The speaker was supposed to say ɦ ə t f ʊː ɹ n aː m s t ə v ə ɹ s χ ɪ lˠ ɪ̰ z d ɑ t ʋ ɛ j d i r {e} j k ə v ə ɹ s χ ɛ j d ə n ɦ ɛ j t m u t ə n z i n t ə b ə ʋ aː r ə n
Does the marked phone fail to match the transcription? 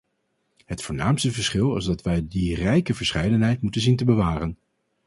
yes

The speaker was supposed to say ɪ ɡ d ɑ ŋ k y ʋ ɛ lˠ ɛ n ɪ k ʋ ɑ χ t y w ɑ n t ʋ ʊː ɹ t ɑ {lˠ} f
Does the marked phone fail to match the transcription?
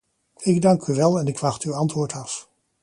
yes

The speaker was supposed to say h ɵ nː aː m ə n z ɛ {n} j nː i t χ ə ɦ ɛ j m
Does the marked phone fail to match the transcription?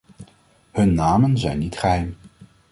yes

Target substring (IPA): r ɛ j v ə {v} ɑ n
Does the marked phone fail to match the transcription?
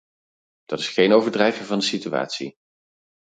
no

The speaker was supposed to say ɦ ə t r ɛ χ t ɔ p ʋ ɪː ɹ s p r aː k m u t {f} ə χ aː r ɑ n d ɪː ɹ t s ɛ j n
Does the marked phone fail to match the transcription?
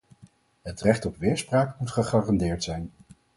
yes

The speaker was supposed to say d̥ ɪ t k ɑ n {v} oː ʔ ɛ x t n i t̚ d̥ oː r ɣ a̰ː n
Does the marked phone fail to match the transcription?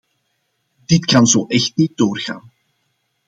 yes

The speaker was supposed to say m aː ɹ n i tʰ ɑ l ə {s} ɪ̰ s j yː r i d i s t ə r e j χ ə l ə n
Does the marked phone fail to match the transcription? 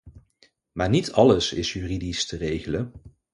no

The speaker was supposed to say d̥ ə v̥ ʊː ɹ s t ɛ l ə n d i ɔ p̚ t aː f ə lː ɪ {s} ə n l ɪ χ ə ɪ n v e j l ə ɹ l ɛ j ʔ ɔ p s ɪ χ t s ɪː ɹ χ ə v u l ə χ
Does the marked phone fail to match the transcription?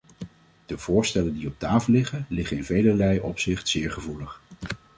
yes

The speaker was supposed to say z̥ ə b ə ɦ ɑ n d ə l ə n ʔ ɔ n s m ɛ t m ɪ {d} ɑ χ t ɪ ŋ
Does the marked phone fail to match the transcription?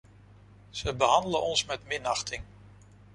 yes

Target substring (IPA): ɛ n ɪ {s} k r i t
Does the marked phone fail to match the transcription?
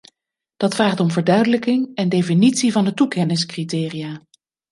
no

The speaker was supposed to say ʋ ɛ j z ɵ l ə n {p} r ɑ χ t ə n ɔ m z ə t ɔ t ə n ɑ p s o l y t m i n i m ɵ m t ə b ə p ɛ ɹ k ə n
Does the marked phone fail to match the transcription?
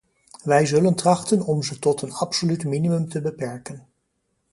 yes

